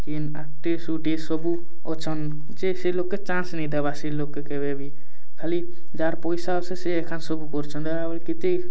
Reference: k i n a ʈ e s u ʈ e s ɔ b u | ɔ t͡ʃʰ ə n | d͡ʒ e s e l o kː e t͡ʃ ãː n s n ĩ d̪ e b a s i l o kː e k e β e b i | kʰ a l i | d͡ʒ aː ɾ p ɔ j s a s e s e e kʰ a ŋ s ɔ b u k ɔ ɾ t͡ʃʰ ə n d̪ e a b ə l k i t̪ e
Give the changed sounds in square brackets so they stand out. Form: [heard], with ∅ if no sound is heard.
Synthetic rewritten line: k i n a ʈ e s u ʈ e s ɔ b u | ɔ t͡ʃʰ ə n | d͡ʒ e s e l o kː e t͡ʃ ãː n s n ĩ d̪ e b a s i l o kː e k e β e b i | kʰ a l i | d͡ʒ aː ɾ p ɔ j s a s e s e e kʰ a [n] s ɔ b u k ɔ ɾ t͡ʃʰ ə n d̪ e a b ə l k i t̪ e

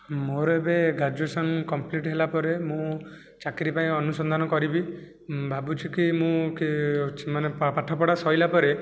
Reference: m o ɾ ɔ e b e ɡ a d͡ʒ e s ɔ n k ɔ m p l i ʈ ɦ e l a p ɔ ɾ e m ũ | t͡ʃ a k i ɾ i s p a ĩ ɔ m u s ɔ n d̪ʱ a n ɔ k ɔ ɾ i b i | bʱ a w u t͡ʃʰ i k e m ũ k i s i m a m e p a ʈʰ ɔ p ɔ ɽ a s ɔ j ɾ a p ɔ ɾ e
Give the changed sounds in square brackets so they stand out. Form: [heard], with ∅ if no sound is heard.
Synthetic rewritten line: m o ɾ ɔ e b e ɡ a d͡ʒ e s ɔ n k ɔ m p l i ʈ ɦ e l a p ɔ ɾ e m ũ | t͡ʃ a k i ɾ i [∅] p a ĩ ɔ [n] u s ɔ n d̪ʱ a n ɔ k ɔ ɾ i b i | bʱ a [b] u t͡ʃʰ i k [i] m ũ k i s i m a [n] e p a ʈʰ ɔ p ɔ ɽ a s ɔ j [l] a p ɔ ɾ e

